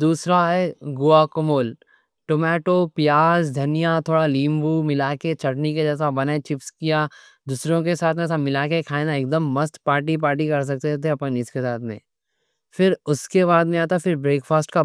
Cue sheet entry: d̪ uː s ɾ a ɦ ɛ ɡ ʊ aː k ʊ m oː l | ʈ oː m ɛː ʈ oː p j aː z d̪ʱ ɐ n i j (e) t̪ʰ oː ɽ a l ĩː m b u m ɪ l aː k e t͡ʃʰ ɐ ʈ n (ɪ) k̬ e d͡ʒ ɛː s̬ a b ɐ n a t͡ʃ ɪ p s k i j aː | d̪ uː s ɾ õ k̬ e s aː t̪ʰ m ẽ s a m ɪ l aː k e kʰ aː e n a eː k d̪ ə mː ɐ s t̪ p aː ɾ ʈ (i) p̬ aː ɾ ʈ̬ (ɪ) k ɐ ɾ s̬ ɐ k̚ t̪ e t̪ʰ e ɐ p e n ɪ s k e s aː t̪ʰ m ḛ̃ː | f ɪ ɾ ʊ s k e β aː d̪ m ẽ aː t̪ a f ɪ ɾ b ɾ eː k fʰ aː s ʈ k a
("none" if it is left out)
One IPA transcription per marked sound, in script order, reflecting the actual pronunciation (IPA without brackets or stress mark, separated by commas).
a, i, i, i